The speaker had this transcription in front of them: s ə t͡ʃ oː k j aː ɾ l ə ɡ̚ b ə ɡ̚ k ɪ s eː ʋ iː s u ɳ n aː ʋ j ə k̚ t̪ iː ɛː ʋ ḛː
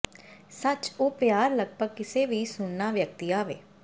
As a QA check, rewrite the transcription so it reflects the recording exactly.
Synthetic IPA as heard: s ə t͡ʃ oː p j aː ɾ l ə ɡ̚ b ə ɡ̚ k ɪ s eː ʋ iː s ʊ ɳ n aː ʋ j ə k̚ t̪ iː aː ʋ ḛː